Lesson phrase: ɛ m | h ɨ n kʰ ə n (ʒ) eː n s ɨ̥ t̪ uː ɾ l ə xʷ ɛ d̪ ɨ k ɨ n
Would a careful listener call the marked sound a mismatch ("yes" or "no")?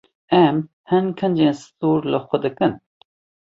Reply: yes